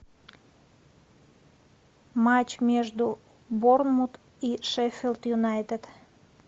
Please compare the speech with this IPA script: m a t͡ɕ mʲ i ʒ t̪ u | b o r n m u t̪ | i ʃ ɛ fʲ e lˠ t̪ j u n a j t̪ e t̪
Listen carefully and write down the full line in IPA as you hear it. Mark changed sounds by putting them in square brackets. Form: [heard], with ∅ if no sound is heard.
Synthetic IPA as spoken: m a t͡ɕ mʲ [e] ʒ [d̪] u | b o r n m u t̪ | i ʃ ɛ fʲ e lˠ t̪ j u n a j t̪ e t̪

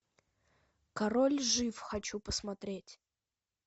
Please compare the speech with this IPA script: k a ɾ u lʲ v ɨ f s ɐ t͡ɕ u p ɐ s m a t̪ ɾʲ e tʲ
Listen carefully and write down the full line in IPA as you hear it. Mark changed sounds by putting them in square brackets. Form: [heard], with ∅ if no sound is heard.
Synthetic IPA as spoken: k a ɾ [o] lʲ [ʐ] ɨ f [x] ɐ t͡ɕ u p [ə] s m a t̪ ɾʲ e tʲ

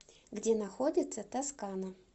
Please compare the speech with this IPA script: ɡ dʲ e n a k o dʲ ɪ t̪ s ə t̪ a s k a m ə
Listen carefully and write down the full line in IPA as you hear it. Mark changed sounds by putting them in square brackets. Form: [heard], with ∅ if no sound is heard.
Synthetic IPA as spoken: ɡ dʲ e n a [x] o dʲ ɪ t̪ s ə t̪ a s k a [n] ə

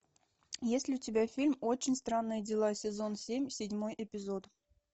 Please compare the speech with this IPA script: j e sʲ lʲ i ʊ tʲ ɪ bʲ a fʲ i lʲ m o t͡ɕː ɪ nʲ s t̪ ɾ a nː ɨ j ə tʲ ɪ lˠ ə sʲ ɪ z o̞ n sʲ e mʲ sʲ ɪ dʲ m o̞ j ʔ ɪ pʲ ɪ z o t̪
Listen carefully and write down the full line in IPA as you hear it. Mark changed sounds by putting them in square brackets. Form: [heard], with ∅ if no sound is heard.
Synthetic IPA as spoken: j e sʲ lʲ [ɪ] ʊ tʲ ɪ bʲ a fʲ i lʲ m o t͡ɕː ɪ nʲ s t̪ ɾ a nː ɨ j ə [dʲ] ɪ lˠ [a] sʲ ɪ z o̞ n sʲ e mʲ sʲ ɪ dʲ m o̞ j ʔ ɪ pʲ ɪ z o t̪

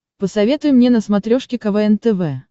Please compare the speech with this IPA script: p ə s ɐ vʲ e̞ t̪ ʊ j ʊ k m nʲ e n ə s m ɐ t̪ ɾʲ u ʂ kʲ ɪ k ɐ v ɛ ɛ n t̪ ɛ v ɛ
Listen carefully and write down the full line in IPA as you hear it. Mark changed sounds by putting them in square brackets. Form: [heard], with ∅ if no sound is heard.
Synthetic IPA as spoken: p ə s ɐ vʲ e̞ t̪ ʊ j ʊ [∅] m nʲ e n ə s m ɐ t̪ ɾʲ [o] ʂ kʲ ɪ k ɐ v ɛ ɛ n t̪ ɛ v ɛ

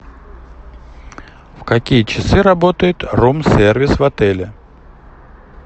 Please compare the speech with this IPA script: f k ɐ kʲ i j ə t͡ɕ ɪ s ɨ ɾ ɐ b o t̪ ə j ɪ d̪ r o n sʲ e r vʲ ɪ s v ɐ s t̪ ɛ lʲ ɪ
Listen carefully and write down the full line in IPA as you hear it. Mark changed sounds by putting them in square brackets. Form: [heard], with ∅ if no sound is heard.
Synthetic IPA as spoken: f k ɐ kʲ i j ə t͡ɕ ɪ s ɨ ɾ ɐ b o t̪ ə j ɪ [t̪] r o [m] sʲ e r vʲ ɪ s v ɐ [∅] t̪ ɛ lʲ ɪ

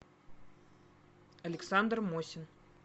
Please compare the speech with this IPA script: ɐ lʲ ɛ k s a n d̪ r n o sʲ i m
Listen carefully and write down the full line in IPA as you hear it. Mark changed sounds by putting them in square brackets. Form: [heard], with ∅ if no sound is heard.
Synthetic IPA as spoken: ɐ lʲ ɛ k s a n d̪ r [m] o sʲ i [n]

